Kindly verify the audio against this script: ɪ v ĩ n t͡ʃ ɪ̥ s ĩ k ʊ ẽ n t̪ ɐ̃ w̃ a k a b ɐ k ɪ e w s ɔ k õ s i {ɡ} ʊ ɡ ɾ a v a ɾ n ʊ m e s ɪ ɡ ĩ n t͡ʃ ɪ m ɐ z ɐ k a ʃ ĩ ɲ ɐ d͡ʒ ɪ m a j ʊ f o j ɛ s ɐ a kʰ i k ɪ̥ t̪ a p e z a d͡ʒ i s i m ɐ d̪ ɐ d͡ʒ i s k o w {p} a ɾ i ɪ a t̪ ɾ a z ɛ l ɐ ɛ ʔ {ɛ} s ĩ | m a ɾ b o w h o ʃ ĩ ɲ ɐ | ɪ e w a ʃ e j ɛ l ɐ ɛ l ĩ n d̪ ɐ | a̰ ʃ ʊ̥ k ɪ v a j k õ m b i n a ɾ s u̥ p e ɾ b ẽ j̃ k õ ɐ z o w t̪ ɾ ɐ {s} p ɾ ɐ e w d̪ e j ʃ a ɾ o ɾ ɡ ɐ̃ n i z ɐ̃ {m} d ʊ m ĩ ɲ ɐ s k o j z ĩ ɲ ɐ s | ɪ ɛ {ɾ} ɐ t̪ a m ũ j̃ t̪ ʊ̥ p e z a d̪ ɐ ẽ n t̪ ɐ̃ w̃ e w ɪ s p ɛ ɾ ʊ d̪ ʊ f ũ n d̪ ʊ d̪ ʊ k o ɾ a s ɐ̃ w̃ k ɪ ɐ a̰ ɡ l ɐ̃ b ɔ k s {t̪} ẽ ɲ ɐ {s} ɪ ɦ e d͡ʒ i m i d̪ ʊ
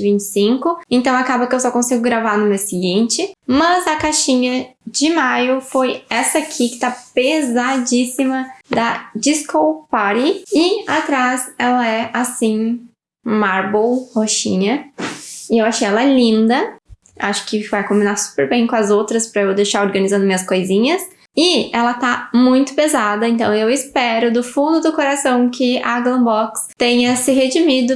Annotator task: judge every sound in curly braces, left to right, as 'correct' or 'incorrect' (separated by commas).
correct, correct, incorrect, correct, incorrect, incorrect, correct, correct